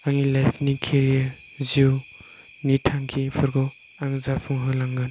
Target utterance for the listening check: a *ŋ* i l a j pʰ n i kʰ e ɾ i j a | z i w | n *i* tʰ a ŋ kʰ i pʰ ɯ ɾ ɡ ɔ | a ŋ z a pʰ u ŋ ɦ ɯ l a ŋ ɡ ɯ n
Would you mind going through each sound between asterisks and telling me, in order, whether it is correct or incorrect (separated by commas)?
correct, correct